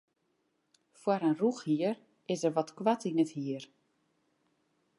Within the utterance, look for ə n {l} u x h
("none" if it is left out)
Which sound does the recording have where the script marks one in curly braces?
r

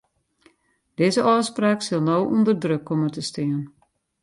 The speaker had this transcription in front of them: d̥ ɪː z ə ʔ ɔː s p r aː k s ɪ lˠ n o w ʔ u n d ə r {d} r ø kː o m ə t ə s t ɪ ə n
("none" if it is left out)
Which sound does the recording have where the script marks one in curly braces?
d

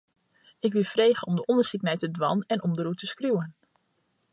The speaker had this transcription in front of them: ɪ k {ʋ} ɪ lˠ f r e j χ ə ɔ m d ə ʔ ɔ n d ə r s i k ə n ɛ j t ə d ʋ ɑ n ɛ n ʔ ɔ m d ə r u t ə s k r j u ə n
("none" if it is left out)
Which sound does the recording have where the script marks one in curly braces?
ʋ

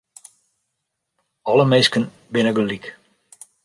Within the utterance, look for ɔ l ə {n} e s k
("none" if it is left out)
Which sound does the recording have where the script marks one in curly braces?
m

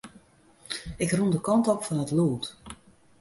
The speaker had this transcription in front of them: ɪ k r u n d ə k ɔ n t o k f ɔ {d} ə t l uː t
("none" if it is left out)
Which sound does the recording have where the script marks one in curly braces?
n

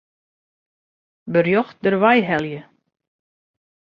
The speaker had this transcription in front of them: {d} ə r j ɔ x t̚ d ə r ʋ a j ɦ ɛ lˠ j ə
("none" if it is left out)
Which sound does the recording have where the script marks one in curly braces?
b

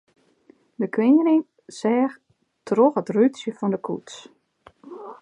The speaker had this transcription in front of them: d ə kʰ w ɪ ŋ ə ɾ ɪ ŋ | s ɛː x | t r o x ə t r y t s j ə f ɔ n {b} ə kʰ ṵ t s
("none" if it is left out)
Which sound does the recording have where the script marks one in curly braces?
d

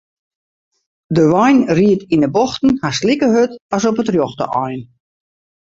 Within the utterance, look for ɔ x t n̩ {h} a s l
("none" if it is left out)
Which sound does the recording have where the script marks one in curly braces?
h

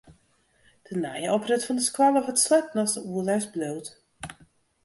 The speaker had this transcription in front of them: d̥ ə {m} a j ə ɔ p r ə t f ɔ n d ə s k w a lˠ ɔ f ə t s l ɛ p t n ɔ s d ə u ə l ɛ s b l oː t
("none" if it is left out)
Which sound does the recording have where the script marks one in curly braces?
n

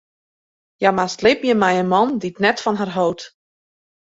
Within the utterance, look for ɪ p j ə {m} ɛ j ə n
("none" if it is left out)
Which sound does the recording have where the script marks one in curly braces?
m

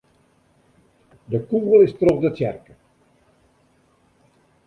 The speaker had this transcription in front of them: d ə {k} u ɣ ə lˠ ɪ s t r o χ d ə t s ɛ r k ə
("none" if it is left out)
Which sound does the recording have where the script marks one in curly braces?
k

